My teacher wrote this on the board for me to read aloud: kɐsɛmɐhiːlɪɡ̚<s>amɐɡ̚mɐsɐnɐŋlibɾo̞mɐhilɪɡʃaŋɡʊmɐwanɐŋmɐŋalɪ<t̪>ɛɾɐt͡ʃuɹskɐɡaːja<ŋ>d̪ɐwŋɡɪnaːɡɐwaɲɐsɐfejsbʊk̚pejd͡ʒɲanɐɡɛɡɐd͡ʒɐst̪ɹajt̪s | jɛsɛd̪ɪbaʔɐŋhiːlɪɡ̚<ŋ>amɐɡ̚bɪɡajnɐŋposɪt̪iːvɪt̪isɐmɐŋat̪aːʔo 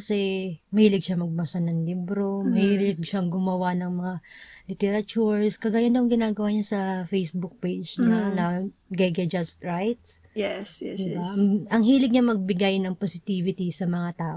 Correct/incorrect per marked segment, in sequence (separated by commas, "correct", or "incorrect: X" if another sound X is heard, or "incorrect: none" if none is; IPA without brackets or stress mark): incorrect: ʃ, correct, incorrect: n, incorrect: ɲ